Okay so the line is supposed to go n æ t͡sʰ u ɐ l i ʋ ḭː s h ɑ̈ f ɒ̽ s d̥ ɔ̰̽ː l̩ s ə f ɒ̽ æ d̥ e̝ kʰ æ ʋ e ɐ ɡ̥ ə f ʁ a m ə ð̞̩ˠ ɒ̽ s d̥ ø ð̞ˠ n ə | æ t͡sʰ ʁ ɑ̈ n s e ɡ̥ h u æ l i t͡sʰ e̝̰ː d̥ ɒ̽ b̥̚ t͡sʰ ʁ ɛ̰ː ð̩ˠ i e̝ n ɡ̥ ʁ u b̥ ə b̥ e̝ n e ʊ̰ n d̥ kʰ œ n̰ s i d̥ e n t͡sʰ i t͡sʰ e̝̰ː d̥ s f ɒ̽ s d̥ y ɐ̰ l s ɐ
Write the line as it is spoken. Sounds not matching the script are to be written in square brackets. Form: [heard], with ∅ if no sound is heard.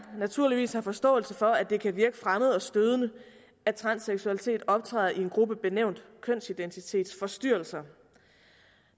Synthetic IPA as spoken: n æ t͡sʰ u ɐ l i ʋ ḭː s h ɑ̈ f ɒ̽ s d̥ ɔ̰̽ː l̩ s ə f ɒ̽ æ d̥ e̝ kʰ æ ʋ [i] ɐ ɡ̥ ə f ʁ a m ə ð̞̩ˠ ɒ̽ s d̥ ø ð̞ˠ n ə | æ t͡sʰ ʁ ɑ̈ n s e ɡ̥ [s] u æ l i t͡sʰ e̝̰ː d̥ ɒ̽ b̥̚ t͡sʰ ʁ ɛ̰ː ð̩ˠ i e̝ n ɡ̥ ʁ u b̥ ə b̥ e̝ n e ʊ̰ n d̥ kʰ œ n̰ s i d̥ e n t͡sʰ i t͡sʰ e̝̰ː d̥ s f ɒ̽ s d̥ y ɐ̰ l s ɐ